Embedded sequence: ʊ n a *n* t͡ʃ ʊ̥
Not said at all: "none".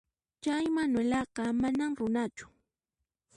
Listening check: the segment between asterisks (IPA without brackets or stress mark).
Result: none